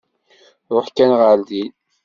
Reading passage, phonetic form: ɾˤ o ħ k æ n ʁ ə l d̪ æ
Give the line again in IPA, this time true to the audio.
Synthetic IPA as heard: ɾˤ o ħ k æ n ʁ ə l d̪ i